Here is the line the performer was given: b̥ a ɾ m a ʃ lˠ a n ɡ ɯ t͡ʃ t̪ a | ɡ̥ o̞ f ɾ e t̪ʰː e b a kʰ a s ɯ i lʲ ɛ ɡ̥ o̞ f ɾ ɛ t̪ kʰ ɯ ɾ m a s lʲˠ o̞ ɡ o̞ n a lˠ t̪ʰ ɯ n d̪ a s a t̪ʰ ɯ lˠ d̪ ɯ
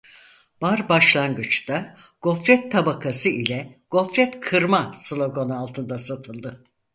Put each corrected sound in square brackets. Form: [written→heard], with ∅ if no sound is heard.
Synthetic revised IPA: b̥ a ɾ [m→b] a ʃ lˠ a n ɡ ɯ t͡ʃ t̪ a | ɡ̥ o̞ f ɾ [e→ɛ] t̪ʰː [e→a] b a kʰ a s ɯ i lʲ ɛ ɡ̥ o̞ f ɾ ɛ t̪ kʰ ɯ ɾ m a s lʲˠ o̞ ɡ o̞ n a lˠ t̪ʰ ɯ n d̪ a s a t̪ʰ ɯ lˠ d̪ ɯ

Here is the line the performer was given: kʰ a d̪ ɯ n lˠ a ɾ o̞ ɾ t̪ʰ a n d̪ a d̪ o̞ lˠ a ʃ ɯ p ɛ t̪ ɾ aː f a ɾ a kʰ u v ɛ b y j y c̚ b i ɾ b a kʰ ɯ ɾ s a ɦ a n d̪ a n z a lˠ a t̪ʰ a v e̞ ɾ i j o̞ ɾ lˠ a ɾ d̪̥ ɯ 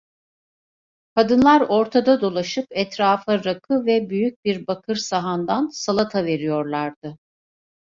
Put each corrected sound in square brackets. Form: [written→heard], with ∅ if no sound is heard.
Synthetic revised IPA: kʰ a d̪ ɯ n lˠ a ɾ o̞ ɾ t̪ʰ a [n→∅] d̪ a d̪ o̞ lˠ a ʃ ɯ p ɛ t̪ ɾ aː f a ɾ a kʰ [u→ɯ] v ɛ b y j y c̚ b i ɾ b a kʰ ɯ ɾ s a ɦ a n d̪ a n [z→s] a lˠ a t̪ʰ a v e̞ ɾ i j o̞ ɾ lˠ a ɾ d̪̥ ɯ

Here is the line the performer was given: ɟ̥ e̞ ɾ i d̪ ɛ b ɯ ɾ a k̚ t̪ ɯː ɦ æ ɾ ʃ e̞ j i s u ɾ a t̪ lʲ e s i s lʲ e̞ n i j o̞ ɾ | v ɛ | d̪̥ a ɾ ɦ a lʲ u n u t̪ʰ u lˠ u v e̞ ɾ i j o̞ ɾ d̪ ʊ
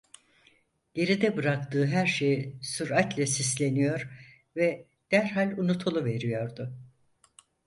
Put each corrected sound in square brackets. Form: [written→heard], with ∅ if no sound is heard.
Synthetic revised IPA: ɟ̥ e̞ ɾ i d̪ ɛ b ɯ ɾ a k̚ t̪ ɯː ɦ æ ɾ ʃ e̞ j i s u ɾ a t̪ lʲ [e→ɛ] s i s lʲ e̞ n i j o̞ ɾ | v ɛ | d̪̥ [a→æ] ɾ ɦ a lʲ u n u t̪ʰ u lˠ u v e̞ ɾ i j o̞ ɾ d̪ ʊ

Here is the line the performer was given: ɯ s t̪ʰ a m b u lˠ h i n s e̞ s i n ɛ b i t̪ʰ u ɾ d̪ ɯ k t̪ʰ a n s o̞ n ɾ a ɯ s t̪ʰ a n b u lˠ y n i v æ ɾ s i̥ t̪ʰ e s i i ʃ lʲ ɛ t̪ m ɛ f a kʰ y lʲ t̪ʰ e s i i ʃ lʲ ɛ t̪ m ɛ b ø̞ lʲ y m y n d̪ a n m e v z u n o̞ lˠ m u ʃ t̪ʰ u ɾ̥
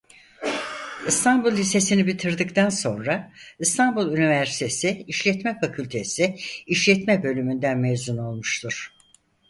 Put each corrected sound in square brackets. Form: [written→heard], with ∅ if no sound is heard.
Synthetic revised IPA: ɯ s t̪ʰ a [m→n] b u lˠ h i [n→∅] s e̞ s i n [ɛ→i] b i t̪ʰ [u→ɯ] ɾ d̪ ɯ k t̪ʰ a n s o̞ n ɾ a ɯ s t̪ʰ a n b u lˠ y n i v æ ɾ s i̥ t̪ʰ e s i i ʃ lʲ ɛ t̪ m ɛ f a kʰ y lʲ t̪ʰ e s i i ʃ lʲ ɛ t̪ m ɛ b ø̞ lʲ y m y n d̪ [a→æ] n m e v z u n o̞ lˠ m u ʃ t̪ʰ u ɾ̥

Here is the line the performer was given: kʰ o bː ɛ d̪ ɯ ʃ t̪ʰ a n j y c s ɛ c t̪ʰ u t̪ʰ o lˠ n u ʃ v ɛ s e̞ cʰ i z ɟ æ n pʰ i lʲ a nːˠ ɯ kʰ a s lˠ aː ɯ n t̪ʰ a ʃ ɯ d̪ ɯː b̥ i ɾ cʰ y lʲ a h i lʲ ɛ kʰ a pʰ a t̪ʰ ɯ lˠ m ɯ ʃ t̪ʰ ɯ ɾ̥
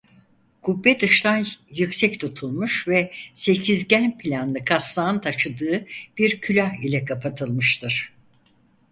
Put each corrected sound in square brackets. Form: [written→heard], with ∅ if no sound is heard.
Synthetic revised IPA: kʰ [o→u] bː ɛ d̪ ɯ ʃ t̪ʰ a n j y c s ɛ c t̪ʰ u t̪ʰ [o→u] lˠ [n→m] u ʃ v ɛ s e̞ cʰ i z ɟ æ n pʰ i lʲ a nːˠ ɯ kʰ a s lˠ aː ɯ n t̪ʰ a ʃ ɯ d̪ ɯː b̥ i ɾ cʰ y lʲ a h i lʲ ɛ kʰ a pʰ a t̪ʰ ɯ lˠ m ɯ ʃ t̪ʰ ɯ ɾ̥

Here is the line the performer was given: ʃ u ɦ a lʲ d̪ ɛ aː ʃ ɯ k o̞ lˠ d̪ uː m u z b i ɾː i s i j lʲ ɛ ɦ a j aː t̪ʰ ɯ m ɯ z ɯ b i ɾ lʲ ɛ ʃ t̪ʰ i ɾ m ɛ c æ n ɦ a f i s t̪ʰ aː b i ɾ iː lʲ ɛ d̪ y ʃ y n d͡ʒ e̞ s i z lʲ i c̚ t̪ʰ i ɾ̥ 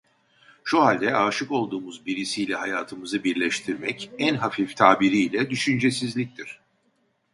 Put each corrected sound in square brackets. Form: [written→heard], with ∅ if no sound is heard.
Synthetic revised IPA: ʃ u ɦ a lʲ d̪ ɛ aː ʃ ɯ k o̞ lˠ d̪ uː m u z b i [ɾː→ɾ] i s i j lʲ ɛ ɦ a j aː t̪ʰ ɯ m ɯ z ɯ b i ɾ lʲ ɛ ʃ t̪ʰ i ɾ m ɛ c æ n ɦ a f i [s→f] t̪ʰ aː b i ɾ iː lʲ ɛ d̪ y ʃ y n d͡ʒ e̞ s i z lʲ i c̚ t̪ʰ i ɾ̥

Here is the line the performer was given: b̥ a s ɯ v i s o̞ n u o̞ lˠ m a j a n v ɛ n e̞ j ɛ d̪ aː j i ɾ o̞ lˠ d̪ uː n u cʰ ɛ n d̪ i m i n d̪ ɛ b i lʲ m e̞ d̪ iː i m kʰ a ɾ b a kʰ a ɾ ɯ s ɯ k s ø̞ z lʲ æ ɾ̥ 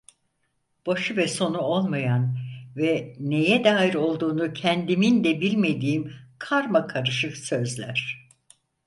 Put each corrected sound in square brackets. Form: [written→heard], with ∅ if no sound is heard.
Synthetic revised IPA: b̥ a [s→ʃ] ɯ v [i→ɛ] s o̞ n u o̞ lˠ m a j a n v ɛ n e̞ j ɛ d̪ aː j i ɾ o̞ lˠ d̪ uː n u cʰ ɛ n d̪ i m i n d̪ ɛ b i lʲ m e̞ d̪ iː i m kʰ a ɾ [b→m] a kʰ a ɾ ɯ [s→ʃ] ɯ k s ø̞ z lʲ æ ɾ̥

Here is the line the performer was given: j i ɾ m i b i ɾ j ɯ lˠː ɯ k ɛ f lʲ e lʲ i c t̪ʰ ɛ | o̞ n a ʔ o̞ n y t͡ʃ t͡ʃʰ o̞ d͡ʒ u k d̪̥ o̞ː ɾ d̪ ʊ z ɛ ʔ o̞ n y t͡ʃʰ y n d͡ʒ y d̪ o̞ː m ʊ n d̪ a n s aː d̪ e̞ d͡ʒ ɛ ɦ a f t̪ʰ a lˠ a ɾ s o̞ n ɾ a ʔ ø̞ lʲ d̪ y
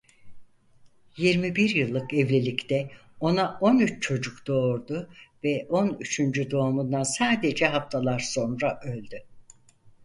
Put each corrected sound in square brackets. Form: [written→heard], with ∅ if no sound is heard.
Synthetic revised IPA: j i ɾ m i b i ɾ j ɯ lˠː ɯ k ɛ [f→v] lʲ e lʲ i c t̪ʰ ɛ | o̞ n a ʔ o̞ n y t͡ʃ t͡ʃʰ o̞ d͡ʒ u k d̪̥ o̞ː ɾ d̪ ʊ [z→v] ɛ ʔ o̞ n y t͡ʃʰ y n d͡ʒ y d̪ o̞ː m [ʊ→u] n d̪ a n s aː d̪ e̞ d͡ʒ ɛ ɦ a f t̪ʰ a lˠ a ɾ s o̞ n ɾ a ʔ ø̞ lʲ d̪ y

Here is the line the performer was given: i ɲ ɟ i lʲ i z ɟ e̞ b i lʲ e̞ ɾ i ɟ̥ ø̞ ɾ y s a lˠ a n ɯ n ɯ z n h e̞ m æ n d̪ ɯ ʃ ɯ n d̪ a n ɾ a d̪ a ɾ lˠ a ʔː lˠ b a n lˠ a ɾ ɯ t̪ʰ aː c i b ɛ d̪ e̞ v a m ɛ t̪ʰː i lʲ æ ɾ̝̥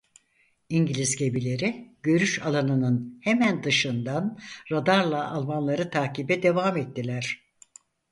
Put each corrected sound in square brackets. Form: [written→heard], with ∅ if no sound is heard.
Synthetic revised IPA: i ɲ ɟ i lʲ i z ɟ e̞ b i lʲ e̞ ɾ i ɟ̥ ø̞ ɾ y [s→ʃ] a lˠ a n ɯ n ɯ [z→∅] n h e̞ m æ n d̪ ɯ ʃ ɯ n d̪ a n ɾ a d̪ a ɾ lˠ a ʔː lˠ [b→m] a n lˠ a ɾ ɯ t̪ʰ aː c i b ɛ d̪ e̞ v a m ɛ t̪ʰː i lʲ æ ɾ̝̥

